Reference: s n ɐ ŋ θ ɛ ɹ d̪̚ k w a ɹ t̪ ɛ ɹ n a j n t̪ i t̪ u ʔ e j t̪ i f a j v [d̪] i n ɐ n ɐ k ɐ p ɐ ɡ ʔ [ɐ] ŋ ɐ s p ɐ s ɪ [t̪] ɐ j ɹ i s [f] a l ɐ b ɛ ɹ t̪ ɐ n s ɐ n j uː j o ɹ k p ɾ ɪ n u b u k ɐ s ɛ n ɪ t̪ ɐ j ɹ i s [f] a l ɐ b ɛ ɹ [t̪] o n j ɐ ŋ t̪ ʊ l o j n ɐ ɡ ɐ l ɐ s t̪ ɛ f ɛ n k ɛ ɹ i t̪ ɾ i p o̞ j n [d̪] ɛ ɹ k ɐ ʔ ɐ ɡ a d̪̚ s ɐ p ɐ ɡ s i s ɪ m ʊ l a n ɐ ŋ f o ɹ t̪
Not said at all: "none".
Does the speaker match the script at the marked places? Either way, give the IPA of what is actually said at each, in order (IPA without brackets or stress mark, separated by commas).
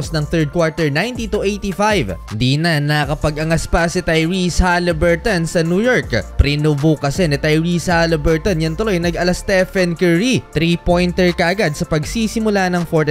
d̪, ɐ, t̪, h, h, t̪, t̪